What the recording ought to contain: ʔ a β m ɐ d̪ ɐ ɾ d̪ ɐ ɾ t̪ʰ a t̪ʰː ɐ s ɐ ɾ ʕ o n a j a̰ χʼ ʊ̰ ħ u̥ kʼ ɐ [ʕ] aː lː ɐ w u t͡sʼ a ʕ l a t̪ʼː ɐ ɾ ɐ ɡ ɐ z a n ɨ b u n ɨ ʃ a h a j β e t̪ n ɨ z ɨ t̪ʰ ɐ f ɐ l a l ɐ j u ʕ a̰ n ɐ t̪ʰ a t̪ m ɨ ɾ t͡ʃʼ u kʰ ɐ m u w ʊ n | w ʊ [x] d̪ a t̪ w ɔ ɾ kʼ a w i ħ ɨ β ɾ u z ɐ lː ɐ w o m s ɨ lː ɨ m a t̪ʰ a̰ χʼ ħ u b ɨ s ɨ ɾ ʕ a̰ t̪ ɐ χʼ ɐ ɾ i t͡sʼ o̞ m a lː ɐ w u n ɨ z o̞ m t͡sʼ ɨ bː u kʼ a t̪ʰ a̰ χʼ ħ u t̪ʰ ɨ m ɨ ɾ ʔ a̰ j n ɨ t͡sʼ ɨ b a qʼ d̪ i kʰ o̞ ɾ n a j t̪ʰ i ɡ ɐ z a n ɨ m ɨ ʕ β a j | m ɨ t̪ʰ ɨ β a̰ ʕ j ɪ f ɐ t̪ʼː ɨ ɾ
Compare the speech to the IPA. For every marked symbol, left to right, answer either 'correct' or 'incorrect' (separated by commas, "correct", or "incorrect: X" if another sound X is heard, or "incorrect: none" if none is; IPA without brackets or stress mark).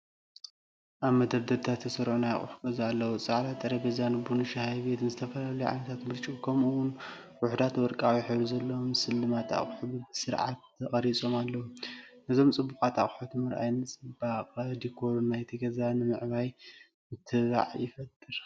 incorrect: z, incorrect: ħ